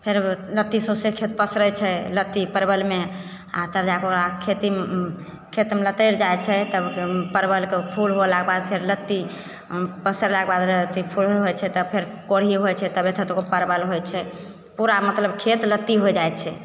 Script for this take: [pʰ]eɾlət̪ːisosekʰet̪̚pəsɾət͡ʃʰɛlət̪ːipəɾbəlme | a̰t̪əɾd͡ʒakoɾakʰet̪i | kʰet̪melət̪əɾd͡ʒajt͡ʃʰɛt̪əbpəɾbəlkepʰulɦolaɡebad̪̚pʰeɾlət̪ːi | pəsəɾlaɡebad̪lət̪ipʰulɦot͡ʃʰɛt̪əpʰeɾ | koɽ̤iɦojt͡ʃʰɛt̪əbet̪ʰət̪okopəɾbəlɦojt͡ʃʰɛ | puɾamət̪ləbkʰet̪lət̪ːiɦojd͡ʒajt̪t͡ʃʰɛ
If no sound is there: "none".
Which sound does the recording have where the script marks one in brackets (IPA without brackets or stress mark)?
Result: pʰ